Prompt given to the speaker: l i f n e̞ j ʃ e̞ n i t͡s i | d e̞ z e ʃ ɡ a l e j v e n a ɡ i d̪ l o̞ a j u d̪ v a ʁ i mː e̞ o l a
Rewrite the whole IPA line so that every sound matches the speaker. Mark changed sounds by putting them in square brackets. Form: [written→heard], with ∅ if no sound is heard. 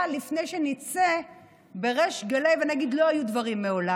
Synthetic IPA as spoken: l i f n e̞ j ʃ e̞ n i t͡s [i→e] | [d→b] e̞ [z→ʁ] e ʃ ɡ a l e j v e n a ɡ i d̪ l o̞ a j u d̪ v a ʁ i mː e̞ o l a